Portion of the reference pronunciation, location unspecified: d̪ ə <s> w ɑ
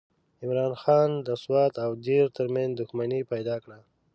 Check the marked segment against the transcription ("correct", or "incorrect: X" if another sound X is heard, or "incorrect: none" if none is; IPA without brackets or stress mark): correct